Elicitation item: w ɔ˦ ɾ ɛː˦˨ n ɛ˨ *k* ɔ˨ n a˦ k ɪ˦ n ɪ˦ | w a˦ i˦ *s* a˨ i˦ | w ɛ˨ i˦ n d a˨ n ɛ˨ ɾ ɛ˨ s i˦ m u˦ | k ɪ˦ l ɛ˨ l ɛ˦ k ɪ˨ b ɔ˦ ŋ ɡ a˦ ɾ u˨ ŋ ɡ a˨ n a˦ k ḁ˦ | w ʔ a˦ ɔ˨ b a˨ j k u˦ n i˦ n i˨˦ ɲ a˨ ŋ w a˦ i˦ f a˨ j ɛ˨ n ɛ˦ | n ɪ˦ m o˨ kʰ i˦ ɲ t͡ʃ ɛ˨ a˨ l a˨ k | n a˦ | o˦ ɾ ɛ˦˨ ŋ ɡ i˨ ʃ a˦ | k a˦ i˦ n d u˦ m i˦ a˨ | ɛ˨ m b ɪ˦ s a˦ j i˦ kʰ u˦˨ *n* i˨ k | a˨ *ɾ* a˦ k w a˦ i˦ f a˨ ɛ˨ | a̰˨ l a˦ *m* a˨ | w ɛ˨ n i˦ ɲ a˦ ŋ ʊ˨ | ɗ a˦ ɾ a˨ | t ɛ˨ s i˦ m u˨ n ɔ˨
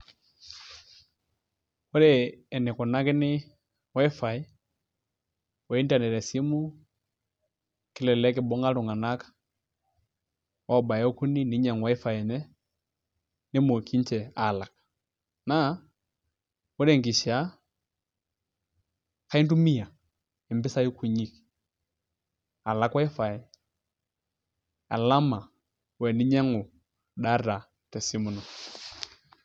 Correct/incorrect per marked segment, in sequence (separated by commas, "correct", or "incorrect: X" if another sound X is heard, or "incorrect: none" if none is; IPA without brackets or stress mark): correct, incorrect: f, incorrect: ɲ, incorrect: l, correct